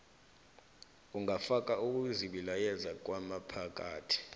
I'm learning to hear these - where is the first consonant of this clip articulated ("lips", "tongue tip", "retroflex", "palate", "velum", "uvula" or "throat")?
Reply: velum